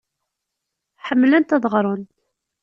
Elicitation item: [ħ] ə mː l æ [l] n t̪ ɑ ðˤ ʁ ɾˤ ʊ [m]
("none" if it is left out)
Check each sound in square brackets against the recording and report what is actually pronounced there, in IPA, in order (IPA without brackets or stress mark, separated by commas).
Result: ħ, none, n